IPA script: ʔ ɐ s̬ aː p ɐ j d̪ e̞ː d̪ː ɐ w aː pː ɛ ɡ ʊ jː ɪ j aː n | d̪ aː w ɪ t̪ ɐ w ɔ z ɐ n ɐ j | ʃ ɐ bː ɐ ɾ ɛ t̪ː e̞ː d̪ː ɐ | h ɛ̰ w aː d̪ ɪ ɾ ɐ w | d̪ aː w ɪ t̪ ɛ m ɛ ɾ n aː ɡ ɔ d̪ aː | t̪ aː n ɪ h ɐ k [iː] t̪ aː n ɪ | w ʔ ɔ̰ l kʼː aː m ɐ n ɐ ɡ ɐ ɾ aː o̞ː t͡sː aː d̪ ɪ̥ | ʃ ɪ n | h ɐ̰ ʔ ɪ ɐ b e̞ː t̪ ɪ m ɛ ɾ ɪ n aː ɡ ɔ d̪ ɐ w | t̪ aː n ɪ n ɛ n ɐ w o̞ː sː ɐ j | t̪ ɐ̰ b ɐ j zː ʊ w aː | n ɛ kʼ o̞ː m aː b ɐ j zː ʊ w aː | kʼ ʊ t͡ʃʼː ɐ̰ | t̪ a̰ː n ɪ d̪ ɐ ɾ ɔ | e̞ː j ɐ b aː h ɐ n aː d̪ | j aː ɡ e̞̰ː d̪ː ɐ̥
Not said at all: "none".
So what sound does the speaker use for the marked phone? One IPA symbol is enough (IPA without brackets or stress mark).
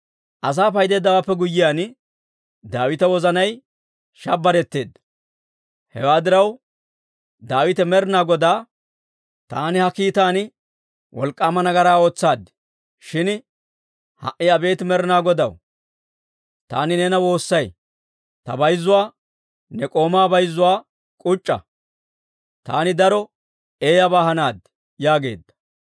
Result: iː